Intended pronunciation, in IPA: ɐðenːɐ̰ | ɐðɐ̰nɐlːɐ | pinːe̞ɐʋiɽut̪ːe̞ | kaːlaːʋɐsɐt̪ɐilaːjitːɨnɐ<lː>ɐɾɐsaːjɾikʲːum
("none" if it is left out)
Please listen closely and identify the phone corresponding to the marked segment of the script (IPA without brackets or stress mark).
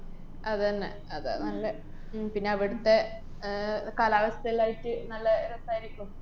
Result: lː